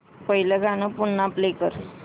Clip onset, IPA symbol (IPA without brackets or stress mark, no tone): p